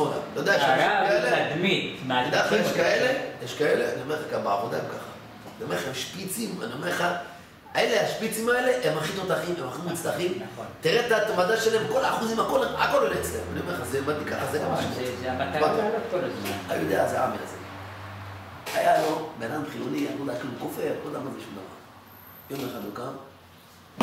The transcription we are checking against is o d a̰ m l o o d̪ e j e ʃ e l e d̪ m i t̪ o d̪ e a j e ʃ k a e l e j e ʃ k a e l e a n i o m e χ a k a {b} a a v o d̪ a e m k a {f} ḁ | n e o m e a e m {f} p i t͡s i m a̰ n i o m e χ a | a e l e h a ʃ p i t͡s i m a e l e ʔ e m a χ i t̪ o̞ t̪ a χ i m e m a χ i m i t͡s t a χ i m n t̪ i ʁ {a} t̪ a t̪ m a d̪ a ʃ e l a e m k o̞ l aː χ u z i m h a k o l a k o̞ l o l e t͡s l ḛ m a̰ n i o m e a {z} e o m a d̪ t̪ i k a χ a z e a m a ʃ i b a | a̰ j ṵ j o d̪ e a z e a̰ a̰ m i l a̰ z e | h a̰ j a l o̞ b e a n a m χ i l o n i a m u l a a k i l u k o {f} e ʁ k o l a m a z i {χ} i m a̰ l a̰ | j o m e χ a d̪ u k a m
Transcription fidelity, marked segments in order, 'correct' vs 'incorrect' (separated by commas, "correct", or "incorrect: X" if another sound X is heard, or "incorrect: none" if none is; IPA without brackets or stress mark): correct, incorrect: χ, incorrect: ʃ, incorrect: e, correct, correct, incorrect: ʃ